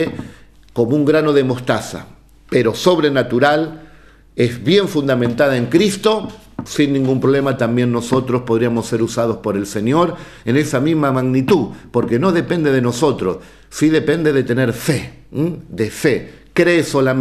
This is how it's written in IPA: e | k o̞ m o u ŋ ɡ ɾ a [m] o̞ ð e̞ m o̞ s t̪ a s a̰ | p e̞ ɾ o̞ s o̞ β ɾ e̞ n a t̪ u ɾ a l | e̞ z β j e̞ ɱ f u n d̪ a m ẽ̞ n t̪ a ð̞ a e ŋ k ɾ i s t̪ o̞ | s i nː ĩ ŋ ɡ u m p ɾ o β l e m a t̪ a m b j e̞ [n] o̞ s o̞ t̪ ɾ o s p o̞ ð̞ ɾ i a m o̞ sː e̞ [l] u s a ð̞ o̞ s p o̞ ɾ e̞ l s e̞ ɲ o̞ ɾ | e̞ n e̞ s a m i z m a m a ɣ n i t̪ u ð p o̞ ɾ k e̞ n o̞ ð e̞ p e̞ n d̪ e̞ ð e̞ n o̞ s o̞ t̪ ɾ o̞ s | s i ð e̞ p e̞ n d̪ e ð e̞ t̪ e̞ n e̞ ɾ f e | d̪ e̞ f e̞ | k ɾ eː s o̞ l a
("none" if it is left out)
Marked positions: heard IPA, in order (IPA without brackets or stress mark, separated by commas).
n, nː, ɾ